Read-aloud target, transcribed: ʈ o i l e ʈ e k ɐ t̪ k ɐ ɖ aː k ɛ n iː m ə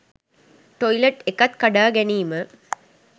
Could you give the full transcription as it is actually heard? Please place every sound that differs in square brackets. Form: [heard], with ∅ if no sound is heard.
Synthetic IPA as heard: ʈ o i l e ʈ e k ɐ t̪ k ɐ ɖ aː [ɡ] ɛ n iː m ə

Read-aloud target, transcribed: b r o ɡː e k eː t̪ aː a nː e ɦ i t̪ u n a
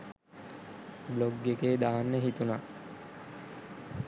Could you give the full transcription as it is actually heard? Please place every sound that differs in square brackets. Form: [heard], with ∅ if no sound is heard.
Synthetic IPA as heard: b [l] o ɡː e k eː [d̪] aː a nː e ɦ i t̪ u n a

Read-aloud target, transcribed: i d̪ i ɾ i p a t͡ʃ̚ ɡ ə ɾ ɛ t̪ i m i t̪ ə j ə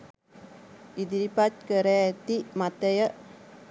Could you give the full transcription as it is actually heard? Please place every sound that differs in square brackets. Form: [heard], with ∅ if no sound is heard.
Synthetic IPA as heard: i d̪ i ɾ i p a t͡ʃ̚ [k] ə ɾ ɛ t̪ i m [a] t̪ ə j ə

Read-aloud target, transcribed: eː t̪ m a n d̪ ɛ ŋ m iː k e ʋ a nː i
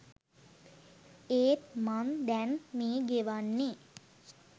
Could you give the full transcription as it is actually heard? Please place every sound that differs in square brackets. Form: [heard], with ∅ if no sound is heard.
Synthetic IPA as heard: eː t̪ m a n d̪ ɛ [n] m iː [ɡ] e ʋ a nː i

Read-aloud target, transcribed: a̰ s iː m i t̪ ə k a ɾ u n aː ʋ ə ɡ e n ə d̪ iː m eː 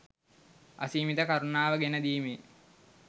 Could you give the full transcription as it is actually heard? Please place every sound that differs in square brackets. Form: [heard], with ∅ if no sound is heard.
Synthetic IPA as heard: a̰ s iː m i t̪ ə k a ɾ u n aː ʋ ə ɡ e n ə d̪ iː m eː

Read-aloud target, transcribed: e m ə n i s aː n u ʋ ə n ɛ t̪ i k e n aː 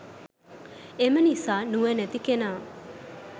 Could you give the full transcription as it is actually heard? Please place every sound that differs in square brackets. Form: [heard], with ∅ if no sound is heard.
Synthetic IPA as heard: e m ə n i s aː n u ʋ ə n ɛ t̪ i k e n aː

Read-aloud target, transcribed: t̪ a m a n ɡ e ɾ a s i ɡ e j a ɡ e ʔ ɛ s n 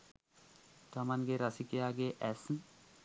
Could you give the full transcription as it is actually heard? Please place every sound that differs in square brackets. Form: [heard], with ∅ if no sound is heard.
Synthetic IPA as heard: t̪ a m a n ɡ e ɾ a s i [k] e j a ɡ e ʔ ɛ s n

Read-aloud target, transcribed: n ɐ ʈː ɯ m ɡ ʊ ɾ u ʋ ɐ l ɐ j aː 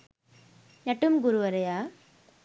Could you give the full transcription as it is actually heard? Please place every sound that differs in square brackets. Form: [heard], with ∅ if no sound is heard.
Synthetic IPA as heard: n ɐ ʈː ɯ m ɡ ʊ ɾ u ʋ ɐ [ɾ] ɐ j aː

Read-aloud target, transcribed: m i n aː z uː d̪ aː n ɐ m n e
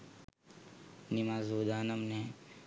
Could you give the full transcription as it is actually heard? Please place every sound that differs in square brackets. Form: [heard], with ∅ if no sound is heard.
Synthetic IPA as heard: [n] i [m] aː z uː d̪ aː n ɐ m n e

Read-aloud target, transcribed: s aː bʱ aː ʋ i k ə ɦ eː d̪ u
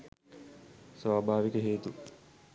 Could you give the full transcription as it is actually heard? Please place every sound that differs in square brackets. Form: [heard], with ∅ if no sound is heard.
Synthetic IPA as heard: s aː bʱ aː ʋ i k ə ɦ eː [t̪] u

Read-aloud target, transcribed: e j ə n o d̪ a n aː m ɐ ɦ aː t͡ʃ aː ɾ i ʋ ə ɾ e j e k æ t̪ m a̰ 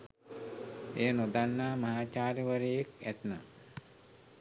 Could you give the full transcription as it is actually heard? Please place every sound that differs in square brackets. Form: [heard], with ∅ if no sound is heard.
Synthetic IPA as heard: e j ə n o d̪ a [nː] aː m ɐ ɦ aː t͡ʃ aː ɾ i ʋ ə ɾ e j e k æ t̪ [n] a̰

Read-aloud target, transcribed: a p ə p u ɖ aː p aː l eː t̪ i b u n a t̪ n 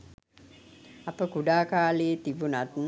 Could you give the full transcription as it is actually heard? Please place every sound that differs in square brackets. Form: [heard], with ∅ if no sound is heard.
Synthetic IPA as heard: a p ə [k] u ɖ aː [k] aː l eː t̪ i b u n a t̪ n

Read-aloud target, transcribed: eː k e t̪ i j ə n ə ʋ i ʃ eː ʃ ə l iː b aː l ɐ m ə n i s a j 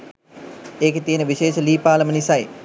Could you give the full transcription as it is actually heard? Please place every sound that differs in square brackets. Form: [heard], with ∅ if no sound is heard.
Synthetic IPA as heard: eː k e t̪ i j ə n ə ʋ i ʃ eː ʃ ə l iː [p] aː l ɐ m ə n i s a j

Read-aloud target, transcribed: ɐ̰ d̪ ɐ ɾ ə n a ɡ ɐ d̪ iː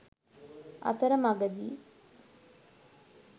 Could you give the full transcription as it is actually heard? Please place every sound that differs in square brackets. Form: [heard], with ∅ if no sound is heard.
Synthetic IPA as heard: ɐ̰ [t̪] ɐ ɾ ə [m] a ɡ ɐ d̪ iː

